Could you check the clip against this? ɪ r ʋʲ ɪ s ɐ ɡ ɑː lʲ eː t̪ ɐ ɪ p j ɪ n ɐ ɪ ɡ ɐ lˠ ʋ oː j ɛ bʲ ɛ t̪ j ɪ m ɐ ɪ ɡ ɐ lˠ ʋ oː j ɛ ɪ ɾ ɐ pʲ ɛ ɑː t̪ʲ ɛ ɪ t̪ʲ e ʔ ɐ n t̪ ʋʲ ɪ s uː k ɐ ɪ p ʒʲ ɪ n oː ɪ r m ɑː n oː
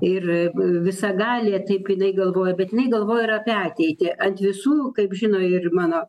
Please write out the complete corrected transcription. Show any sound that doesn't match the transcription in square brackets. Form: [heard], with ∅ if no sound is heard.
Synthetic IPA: ɪ r ʋʲ ɪ s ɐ ɡ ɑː lʲ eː t̪ ɐ ɪ p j ɪ n ɐ ɪ ɡ ɐ lˠ ʋ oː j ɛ bʲ ɛ t̪ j ɪ [n] ɐ ɪ ɡ ɐ lˠ ʋ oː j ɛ ɪ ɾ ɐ pʲ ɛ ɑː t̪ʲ ɛ ɪ t̪ʲ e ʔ ɐ n t̪ ʋʲ ɪ s uː k ɐ ɪ p ʒʲ ɪ n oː ɪ r m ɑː n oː